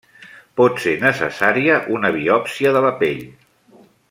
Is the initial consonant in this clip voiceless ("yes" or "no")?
yes